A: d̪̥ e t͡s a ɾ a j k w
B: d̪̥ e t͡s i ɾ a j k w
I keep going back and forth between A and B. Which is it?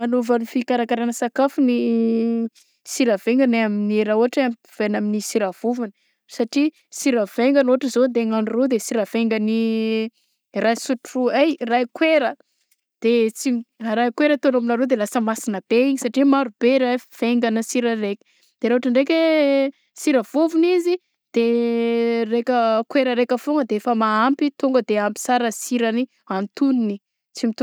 B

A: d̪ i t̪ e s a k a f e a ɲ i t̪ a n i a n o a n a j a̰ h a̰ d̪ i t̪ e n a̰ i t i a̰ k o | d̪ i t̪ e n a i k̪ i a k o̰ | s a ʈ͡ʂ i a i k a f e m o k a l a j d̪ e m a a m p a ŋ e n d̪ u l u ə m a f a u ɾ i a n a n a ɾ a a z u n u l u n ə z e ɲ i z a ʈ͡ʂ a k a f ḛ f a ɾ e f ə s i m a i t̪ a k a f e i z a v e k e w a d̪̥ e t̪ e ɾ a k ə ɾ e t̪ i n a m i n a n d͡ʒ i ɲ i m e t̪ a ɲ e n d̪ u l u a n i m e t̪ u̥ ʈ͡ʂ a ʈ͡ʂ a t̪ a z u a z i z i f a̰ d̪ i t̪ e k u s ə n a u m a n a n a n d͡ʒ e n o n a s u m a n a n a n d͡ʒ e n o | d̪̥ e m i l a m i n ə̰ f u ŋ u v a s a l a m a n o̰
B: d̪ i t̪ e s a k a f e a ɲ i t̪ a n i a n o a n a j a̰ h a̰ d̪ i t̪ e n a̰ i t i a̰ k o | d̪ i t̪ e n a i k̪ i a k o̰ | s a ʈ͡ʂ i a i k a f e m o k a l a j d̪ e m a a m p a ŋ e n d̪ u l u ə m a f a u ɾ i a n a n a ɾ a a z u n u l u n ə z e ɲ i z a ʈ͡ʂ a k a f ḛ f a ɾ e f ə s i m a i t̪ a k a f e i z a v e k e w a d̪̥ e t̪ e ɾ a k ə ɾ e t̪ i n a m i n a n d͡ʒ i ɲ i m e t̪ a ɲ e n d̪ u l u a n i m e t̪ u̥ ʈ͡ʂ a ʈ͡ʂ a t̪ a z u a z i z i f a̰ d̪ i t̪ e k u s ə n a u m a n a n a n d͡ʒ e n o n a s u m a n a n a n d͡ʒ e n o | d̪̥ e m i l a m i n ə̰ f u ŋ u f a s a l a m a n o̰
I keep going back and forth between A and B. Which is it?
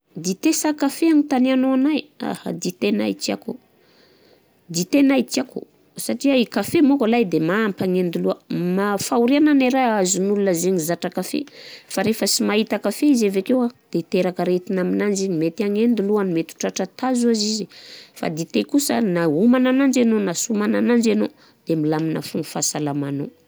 B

